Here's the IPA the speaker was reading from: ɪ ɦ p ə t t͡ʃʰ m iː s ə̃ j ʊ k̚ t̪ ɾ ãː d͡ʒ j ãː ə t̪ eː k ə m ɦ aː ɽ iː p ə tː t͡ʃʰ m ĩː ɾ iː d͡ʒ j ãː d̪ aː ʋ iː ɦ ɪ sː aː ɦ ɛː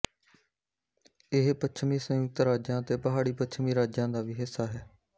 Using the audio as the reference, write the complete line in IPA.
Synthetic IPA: ɪ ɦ p ə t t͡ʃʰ m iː s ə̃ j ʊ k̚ t̪ ɾ aː d͡ʒ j ãː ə t̪ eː p ə ɦ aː ɽ iː p ə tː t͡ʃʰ m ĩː ɾ aː d͡ʒ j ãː d̪ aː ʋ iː ɦ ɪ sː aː ɦ ɛː